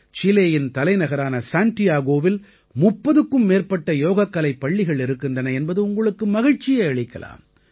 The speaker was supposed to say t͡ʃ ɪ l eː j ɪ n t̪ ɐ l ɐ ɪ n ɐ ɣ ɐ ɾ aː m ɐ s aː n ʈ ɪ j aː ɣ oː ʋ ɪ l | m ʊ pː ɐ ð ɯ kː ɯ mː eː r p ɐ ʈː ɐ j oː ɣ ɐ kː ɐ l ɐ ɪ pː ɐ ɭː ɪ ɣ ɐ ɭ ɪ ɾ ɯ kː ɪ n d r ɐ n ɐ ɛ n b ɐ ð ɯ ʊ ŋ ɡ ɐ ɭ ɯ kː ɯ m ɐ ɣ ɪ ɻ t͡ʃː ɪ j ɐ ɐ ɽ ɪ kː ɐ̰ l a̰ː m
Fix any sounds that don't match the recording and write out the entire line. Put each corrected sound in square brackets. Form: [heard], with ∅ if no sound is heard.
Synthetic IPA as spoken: t͡ʃ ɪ l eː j ɪ n t̪ ɐ l ɐ ɪ n ɐ ɣ ɐ ɾ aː [n] ɐ s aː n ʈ ɪ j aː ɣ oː ʋ ɪ l | m ʊ pː ɐ ð ɯ kː ɯ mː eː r p ɐ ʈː ɐ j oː ɣ ɐ kː ɐ l ɐ ɪ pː ɐ ɭː ɪ ɣ ɐ ɭ ɪ ɾ ɯ kː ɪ n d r ɐ n ɐ ɛ n b ɐ ð ɯ ʊ ŋ ɡ ɐ ɭ ɯ kː ɯ m ɐ ɣ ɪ ɻ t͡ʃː ɪ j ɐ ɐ [ɭ] ɪ kː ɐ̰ l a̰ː m